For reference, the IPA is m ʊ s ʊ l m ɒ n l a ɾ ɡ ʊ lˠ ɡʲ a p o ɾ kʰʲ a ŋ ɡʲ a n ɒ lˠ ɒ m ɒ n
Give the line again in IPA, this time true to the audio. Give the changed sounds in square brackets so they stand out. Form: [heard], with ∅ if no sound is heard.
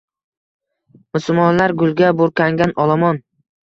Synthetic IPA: m ʊ s ʊ l m ɒ n l a ɾ ɡ ʊ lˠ ɡʲ a [b] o ɾ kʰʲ a ŋ ɡʲ a n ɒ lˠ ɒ m ɒ n